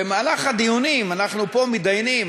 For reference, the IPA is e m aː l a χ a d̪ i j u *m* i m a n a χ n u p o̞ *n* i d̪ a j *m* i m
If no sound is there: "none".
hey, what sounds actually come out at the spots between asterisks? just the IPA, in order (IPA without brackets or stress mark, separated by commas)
n, m, n